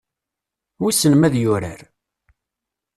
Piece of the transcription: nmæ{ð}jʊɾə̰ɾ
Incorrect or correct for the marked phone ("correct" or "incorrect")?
correct